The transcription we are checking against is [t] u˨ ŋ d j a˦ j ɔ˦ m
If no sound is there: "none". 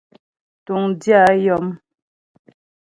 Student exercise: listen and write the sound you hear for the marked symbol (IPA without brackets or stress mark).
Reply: t